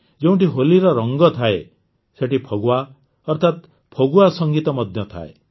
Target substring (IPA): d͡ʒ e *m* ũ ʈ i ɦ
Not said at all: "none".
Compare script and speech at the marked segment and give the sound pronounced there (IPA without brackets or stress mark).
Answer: none